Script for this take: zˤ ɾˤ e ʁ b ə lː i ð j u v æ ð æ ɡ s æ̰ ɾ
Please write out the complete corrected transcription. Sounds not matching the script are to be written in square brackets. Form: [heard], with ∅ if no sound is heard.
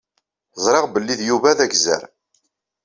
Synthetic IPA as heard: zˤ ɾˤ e ʁ b ə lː i ð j u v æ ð æ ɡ [z] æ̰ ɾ